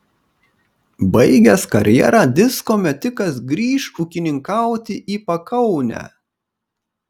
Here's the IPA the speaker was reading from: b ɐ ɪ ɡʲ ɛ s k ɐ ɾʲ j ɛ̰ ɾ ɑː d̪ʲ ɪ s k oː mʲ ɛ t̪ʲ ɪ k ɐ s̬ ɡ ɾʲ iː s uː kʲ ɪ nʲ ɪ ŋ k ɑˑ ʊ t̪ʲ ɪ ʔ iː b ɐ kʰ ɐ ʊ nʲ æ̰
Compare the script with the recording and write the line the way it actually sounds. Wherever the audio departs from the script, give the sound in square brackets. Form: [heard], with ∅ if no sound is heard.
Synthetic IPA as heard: b ɐ ɪ ɡʲ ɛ s k ɐ ɾʲ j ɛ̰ ɾ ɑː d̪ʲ ɪ s k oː mʲ ɛ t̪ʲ ɪ k ɐ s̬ ɡ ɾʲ iː [ʃ] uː kʲ ɪ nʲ ɪ ŋ k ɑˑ ʊ t̪ʲ ɪ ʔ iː [p] ɐ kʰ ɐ ʊ nʲ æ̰